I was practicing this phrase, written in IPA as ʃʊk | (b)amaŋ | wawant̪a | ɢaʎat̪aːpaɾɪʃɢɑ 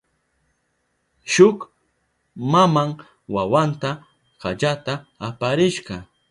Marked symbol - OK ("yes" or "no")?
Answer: no